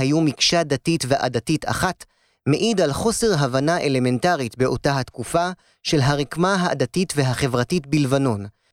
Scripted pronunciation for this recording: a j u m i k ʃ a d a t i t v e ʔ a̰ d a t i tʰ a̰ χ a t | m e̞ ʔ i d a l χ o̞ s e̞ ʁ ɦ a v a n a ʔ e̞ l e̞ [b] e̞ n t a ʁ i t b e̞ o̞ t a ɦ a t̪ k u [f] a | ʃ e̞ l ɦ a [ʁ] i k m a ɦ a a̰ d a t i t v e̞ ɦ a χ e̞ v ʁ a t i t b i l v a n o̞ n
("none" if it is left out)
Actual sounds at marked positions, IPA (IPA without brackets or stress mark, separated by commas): m, f, ʁ